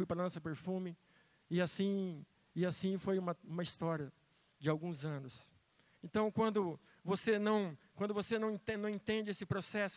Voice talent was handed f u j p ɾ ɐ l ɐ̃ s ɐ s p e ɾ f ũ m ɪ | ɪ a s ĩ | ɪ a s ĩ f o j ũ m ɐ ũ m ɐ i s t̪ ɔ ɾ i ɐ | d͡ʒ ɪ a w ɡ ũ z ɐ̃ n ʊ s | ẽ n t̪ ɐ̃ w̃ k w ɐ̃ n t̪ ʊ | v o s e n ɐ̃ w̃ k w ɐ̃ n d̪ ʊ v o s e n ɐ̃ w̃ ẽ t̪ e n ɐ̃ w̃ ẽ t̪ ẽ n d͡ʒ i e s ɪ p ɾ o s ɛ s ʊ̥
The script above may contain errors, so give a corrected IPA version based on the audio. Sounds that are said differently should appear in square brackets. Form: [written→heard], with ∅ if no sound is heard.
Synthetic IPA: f u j p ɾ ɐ l ɐ̃ s ɐ [s→∅] p e ɾ f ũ m ɪ | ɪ a s ĩ | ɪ a s ĩ f o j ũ m ɐ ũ m ɐ i s t̪ ɔ ɾ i ɐ | d͡ʒ ɪ a w ɡ ũ z ɐ̃ n ʊ s | ẽ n t̪ ɐ̃ w̃ k w ɐ̃ n [t̪→d̪] ʊ | v o s e n ɐ̃ w̃ k w ɐ̃ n d̪ ʊ v o s e n ɐ̃ w̃ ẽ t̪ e n ɐ̃ w̃ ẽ t̪ ẽ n d͡ʒ [i→ɪ] e s ɪ p ɾ o s ɛ s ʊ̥